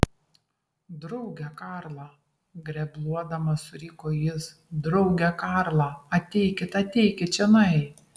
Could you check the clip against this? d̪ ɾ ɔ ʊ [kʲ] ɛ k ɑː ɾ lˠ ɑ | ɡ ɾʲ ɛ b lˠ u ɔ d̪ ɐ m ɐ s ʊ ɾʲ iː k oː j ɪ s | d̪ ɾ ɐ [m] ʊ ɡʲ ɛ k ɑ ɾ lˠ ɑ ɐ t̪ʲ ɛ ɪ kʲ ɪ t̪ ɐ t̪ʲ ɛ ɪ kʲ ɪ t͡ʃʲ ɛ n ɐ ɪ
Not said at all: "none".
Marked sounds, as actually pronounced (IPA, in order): ɡʲ, none

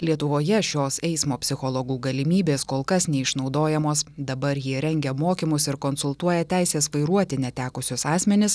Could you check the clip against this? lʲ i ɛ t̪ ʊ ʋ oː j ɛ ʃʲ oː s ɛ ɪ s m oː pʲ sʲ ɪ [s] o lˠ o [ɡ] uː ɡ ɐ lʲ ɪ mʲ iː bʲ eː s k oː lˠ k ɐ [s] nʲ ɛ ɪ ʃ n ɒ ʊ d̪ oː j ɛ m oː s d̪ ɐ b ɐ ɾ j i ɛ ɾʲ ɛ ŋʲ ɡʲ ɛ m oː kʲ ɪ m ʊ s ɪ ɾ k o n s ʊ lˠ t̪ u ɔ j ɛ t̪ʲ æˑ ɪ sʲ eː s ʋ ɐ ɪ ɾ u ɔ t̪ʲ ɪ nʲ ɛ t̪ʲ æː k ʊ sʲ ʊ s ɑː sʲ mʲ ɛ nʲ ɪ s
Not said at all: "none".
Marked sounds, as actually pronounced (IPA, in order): x, ɡ, s

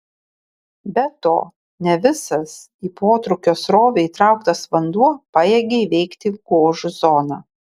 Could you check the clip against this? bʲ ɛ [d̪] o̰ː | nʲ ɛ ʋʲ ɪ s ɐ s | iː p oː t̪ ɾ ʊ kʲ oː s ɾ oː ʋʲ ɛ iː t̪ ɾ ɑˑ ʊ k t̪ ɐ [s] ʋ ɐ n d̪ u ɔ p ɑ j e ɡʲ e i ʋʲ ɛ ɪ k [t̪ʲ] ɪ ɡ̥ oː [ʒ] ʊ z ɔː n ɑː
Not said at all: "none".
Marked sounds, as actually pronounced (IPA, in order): t̪, s, t̪ʲ, ʒ

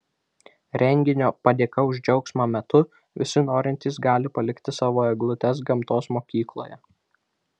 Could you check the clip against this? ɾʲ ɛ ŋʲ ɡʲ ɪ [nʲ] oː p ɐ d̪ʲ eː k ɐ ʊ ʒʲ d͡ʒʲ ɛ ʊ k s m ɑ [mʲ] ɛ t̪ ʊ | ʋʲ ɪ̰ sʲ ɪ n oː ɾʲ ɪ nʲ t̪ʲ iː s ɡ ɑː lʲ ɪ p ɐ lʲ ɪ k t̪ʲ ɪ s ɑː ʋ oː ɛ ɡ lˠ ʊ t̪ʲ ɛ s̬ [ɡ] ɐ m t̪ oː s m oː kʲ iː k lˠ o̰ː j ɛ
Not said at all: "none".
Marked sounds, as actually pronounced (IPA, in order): nʲ, mʲ, ɡ

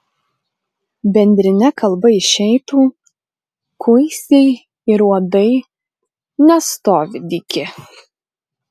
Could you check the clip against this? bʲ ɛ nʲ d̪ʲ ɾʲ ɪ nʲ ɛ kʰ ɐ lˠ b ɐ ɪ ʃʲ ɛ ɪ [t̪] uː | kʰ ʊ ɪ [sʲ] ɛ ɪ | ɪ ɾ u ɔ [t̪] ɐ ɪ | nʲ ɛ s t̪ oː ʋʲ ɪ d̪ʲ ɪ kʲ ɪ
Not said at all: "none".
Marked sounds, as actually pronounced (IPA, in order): t̪, sʲ, d̪

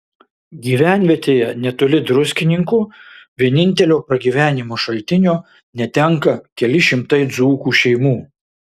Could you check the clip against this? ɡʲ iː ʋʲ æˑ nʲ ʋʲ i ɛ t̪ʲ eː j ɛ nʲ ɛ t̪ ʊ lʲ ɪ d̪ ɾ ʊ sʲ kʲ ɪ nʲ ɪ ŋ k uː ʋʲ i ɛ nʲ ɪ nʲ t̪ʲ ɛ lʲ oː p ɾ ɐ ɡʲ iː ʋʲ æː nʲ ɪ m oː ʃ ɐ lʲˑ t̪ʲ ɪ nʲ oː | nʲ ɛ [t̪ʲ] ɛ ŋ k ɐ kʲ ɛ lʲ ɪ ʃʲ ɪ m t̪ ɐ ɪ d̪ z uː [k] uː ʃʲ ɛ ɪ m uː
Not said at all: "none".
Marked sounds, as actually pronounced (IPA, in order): t̪ʲ, k

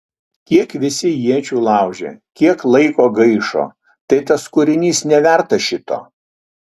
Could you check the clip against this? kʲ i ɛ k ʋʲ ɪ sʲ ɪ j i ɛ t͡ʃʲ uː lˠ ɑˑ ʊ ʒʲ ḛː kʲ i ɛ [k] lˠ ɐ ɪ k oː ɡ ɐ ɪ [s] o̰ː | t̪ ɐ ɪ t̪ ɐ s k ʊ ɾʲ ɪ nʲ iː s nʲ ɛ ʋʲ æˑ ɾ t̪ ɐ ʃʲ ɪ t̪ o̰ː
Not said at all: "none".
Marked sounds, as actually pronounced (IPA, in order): k, ʃ

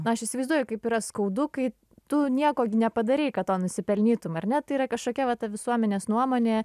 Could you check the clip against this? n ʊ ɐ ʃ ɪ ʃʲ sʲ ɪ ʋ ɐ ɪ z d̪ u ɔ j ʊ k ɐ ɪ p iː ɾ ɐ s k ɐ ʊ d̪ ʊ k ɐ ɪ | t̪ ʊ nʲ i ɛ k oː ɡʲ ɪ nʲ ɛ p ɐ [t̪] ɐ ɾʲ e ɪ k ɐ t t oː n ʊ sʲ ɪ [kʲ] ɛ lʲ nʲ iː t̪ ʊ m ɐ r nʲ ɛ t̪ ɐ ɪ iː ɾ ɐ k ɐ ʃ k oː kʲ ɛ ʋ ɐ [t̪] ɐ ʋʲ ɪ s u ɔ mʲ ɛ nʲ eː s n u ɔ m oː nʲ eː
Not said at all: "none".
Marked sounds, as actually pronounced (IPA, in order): d̪, pʲ, t̪

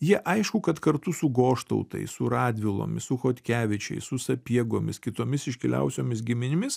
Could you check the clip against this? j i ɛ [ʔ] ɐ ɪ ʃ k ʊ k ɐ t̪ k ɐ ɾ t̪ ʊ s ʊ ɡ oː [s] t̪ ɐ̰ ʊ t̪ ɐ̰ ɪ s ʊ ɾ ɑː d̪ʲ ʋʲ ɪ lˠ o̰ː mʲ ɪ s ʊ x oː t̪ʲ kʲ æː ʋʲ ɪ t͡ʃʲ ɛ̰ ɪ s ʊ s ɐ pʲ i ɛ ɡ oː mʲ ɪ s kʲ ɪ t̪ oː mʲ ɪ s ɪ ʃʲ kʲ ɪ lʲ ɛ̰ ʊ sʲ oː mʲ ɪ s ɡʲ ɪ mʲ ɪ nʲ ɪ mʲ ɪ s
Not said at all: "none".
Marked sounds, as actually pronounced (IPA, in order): ʔ, ʃ

